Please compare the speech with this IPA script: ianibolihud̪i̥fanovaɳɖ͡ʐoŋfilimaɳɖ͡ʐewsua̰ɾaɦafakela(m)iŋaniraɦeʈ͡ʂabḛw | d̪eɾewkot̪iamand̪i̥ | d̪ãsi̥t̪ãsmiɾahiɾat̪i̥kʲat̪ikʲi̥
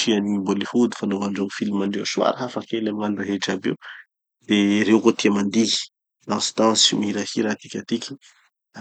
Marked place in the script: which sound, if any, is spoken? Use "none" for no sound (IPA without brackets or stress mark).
m